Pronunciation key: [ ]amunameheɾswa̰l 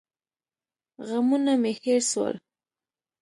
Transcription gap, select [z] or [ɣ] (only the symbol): ɣ